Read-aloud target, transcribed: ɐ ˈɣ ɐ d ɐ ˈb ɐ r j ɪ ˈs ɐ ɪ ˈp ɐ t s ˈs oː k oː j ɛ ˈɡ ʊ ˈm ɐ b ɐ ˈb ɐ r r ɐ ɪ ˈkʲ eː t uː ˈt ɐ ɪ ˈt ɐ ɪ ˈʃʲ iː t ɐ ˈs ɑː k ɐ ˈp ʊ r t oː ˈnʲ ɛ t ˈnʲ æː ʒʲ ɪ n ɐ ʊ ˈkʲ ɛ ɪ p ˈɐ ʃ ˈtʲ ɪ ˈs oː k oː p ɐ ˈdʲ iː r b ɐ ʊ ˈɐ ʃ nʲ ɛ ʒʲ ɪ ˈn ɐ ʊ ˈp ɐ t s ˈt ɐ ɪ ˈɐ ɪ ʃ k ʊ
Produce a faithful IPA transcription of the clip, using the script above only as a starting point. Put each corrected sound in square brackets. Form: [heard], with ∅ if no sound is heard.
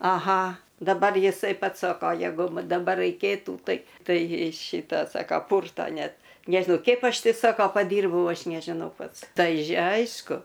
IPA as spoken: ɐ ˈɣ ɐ d ɐ ˈb ɐ r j ɪ ˈs ɐ ɪ ˈp ɐ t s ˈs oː k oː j ɛ ˈɡ ʊ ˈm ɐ [d] ɐ ˈb ɐ r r ɐ ɪ ˈkʲ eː t uː ˈt ɐ ɪ ˈt ɐ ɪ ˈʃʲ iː t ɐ ˈs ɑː k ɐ ˈp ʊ r t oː ˈnʲ ɛ t ˈnʲ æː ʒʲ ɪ n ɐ ʊ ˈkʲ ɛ ɪ p ˈɐ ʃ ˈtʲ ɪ ˈs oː k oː p ɐ ˈdʲ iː r b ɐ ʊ ˈɐ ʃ nʲ ɛ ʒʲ ɪ ˈn ɐ ʊ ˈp ɐ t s ˈt ɐ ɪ ˈɐ ɪ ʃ k ʊ